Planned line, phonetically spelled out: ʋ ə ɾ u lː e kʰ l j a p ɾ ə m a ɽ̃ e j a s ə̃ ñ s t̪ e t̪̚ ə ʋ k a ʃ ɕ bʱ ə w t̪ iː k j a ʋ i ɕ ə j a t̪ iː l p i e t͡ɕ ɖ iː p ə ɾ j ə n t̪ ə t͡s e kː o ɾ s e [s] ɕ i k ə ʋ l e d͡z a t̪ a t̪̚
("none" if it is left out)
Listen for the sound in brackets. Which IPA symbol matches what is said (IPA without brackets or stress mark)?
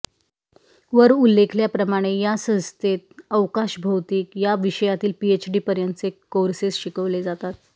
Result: s